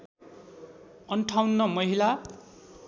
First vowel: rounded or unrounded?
unrounded